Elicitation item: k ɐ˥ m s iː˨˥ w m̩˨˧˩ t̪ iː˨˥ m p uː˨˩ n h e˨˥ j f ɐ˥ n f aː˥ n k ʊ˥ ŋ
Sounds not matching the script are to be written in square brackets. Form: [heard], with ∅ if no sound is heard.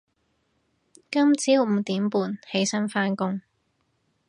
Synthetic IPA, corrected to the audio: k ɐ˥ m [t͡s] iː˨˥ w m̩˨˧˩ t̪ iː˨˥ m p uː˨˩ n h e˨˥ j [s] ɐ˥ n f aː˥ n k ʊ˥ ŋ